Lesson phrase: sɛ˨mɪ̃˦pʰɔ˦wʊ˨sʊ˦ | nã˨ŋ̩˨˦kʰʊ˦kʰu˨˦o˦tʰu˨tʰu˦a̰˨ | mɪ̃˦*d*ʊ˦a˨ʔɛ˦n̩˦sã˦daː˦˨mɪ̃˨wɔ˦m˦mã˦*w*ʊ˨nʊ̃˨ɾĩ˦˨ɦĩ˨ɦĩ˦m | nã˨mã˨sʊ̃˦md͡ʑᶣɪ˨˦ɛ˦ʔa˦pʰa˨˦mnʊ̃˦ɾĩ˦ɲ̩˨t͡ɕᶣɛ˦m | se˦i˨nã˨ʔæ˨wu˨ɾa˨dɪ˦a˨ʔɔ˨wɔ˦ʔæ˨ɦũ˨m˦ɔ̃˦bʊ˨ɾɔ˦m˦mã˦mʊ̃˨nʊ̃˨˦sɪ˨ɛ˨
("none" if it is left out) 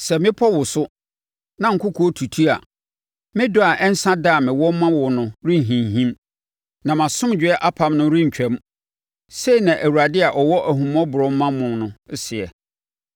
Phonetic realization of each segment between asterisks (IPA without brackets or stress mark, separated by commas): d, w